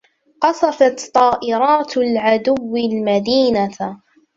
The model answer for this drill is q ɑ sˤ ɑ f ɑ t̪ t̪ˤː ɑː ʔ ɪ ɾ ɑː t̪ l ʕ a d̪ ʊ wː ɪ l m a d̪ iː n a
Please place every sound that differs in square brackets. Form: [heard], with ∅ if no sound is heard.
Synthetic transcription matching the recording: q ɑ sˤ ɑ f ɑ t̪ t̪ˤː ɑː ʔ ɪ ɾ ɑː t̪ l ʕ a d̪ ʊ wː ɪ l m a d̪ iː n a